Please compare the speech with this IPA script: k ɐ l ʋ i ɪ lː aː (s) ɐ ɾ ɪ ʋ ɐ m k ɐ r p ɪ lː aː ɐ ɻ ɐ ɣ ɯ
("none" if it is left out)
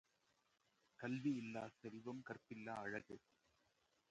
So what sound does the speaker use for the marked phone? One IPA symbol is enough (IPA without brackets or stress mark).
s